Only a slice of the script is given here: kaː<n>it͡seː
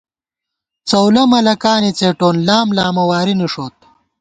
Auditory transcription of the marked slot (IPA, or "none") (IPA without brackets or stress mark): n